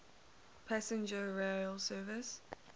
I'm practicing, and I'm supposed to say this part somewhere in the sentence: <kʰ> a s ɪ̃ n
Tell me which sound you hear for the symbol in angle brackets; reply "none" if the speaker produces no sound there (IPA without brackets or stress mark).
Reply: pʰ